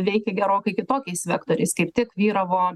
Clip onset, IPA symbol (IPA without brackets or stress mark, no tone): ʋʲ